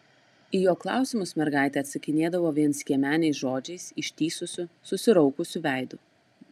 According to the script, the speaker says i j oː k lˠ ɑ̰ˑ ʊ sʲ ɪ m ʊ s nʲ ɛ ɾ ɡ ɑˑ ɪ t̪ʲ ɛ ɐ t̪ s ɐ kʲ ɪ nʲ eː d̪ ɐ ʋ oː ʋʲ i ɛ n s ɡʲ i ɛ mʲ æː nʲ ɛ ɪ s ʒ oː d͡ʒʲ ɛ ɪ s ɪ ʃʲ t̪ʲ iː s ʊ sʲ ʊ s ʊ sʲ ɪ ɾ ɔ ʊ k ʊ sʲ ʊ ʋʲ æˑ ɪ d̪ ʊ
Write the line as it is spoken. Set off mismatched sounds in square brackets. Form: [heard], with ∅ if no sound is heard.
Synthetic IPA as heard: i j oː k lˠ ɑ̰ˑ ʊ sʲ ɪ m ʊ s [mʲ] ɛ ɾ ɡ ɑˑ ɪ t̪ʲ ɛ ɐ t̪ s ɐ kʲ ɪ nʲ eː d̪ ɐ ʋ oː ʋʲ i ɛ n s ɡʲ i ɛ mʲ æː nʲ ɛ ɪ s ʒ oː d͡ʒʲ ɛ ɪ s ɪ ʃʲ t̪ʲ iː s ʊ sʲ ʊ s ʊ sʲ ɪ ɾ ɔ ʊ k ʊ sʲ ʊ ʋʲ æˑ ɪ d̪ ʊ